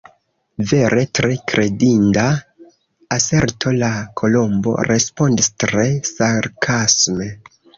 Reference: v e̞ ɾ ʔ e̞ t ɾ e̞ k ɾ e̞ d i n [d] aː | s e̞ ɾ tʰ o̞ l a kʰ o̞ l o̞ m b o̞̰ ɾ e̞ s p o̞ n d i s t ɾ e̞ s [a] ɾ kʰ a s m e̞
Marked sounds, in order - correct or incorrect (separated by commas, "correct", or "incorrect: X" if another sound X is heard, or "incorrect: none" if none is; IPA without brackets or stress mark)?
correct, correct